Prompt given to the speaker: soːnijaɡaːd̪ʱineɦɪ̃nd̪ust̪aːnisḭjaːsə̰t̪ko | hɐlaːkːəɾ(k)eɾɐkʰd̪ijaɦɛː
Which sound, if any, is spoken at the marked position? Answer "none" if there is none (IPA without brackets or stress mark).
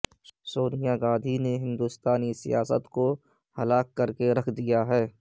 k